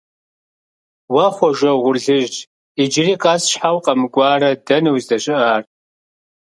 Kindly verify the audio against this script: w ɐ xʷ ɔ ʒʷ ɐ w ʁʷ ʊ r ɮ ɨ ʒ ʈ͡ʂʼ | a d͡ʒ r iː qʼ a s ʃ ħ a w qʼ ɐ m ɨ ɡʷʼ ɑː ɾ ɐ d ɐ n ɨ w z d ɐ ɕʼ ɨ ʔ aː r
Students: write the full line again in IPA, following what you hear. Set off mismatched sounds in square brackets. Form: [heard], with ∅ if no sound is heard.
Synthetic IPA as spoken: w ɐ [χʷ] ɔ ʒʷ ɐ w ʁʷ ʊ r ɮ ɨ ʒ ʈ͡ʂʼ | [i] d͡ʒ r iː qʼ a s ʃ ħ a w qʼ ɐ m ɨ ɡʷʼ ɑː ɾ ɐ d ɐ n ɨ w z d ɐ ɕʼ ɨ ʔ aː r